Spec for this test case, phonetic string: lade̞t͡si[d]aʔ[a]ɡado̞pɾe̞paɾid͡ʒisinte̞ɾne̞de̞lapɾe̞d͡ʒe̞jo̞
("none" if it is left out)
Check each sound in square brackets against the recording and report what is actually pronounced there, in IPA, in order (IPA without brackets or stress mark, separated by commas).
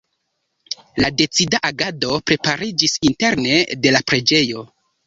d, a